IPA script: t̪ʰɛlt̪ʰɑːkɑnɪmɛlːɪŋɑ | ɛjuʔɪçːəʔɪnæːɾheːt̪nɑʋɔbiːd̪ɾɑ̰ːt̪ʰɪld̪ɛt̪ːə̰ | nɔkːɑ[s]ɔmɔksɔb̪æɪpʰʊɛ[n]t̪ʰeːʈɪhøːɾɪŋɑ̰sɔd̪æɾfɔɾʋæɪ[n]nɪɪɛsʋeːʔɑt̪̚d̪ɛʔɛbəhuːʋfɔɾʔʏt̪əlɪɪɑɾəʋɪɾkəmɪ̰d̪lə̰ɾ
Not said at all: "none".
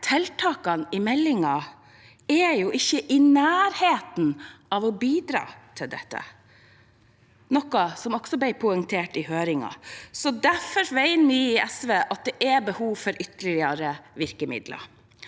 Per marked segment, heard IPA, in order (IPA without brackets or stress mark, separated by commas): s, ŋ, n